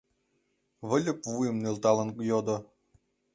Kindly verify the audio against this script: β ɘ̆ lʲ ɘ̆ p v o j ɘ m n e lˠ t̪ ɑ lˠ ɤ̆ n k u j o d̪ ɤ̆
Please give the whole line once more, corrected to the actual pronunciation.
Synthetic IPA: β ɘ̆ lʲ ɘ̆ p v u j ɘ m n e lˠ t̪ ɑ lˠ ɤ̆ n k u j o d̪ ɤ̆